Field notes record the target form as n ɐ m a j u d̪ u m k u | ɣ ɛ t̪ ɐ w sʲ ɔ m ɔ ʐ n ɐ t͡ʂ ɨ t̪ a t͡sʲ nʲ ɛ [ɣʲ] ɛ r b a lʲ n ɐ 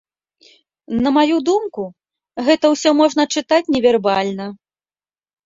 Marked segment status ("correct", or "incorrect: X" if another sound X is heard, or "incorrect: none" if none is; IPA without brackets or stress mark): incorrect: vʲ